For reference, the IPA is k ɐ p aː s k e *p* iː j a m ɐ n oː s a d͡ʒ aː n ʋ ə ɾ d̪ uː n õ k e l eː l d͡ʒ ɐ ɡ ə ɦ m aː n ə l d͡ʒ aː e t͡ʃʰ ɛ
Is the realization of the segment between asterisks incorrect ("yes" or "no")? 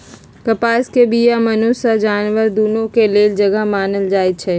yes